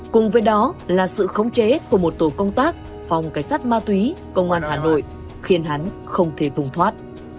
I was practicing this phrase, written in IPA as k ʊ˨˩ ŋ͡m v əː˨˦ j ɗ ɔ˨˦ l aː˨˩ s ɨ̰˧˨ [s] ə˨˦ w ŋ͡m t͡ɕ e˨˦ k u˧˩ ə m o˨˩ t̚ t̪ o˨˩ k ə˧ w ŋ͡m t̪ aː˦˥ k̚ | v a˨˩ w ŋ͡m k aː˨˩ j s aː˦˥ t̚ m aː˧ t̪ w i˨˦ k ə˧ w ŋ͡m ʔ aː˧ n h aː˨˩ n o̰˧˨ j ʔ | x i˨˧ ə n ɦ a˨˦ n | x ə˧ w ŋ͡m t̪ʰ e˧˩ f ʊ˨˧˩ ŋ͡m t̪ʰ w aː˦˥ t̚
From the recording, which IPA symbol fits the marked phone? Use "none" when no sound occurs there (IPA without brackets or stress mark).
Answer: x